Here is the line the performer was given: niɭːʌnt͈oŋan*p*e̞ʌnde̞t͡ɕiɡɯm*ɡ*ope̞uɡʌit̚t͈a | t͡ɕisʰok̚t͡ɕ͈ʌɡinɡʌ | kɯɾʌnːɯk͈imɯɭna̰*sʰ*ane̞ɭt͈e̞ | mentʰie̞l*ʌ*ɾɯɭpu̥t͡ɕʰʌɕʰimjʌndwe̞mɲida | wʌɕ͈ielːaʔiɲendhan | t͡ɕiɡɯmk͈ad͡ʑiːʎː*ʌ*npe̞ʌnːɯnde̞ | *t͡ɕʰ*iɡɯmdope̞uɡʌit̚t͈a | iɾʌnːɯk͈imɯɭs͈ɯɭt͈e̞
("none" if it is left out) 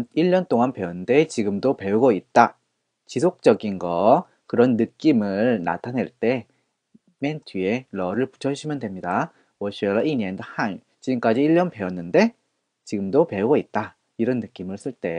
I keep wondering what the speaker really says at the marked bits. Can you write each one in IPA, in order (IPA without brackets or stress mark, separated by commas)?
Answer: p, d, tʰ, ʌ, ʌ, t͡ɕ